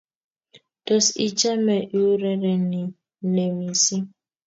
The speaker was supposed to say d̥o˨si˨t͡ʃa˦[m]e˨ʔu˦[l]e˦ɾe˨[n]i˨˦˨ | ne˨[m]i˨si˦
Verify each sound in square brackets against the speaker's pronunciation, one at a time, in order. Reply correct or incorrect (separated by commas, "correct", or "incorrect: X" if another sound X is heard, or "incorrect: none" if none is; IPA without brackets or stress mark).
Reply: correct, incorrect: ɾ, correct, correct